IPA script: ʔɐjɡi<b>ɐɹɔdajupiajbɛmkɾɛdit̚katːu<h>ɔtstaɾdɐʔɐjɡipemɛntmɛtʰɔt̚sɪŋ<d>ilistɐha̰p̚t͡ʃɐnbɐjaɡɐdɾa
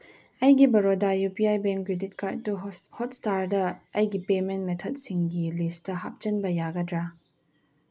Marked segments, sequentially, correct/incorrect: correct, correct, incorrect: ɡ

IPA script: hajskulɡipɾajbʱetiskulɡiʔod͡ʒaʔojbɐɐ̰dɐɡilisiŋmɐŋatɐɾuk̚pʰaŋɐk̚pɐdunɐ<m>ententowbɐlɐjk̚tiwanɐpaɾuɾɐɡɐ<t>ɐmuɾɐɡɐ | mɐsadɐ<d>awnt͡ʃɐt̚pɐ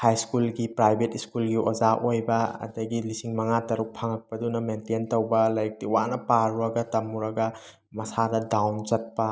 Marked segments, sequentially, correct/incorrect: correct, correct, correct

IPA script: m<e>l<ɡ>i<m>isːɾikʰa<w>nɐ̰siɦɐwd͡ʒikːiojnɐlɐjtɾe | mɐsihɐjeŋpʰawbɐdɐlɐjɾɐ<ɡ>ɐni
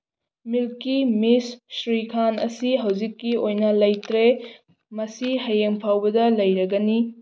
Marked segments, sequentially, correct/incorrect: incorrect: i, incorrect: k, correct, incorrect: none, correct

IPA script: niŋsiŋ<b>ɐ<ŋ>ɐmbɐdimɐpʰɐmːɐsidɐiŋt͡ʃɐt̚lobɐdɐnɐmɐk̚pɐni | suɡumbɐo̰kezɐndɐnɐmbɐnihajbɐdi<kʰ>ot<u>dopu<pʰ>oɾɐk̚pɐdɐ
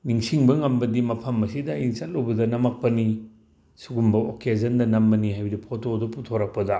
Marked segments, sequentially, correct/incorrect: correct, correct, incorrect: pʰ, incorrect: o, incorrect: tʰ

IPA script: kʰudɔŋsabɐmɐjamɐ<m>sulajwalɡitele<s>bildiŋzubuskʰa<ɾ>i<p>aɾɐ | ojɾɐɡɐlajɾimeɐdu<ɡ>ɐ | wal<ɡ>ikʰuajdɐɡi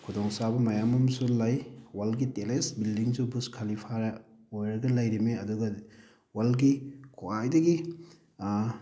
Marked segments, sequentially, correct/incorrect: correct, correct, incorrect: l, incorrect: pʰ, correct, correct

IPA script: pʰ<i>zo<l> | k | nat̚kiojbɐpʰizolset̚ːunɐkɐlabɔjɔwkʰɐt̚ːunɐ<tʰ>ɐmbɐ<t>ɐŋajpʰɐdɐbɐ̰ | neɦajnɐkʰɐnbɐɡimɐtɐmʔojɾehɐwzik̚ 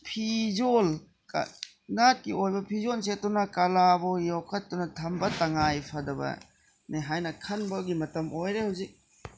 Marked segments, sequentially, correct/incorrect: correct, correct, correct, correct

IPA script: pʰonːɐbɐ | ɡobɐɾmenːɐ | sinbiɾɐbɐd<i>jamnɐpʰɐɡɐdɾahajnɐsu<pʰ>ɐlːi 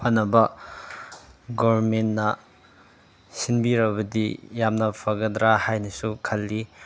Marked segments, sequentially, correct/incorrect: correct, incorrect: kʰ

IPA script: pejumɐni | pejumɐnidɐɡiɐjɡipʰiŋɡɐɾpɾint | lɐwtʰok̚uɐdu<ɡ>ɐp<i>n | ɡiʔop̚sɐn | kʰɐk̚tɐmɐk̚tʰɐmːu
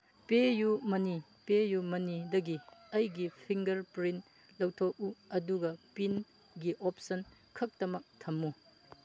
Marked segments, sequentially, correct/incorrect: correct, correct

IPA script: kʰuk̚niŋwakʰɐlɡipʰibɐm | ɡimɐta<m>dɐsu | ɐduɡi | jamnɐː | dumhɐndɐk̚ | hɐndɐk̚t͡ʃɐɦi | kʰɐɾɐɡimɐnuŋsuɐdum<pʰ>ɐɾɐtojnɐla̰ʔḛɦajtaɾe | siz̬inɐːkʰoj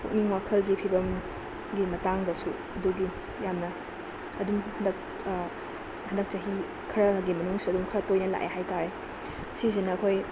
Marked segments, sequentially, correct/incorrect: incorrect: ŋ, incorrect: kʰ

